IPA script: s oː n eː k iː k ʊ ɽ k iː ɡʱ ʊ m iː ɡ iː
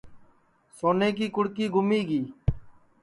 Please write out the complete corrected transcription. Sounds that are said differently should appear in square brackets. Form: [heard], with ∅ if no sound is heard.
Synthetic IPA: s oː n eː k iː k ʊ ɽ k iː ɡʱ ʊ m iː ɡ iː